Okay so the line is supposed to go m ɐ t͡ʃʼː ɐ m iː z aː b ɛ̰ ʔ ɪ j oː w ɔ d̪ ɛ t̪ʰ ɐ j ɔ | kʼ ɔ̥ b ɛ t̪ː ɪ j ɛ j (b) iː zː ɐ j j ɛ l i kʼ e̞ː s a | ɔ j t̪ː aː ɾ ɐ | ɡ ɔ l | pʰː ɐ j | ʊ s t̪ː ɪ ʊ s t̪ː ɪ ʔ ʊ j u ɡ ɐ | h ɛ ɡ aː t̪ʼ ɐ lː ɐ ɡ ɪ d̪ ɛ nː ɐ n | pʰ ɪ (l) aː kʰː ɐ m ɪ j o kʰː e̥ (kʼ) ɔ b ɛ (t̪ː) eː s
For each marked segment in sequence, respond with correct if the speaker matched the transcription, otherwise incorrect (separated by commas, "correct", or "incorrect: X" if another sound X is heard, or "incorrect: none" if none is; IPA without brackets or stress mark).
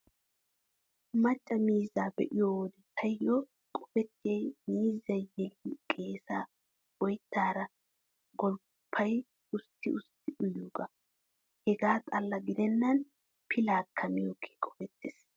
incorrect: m, correct, correct, correct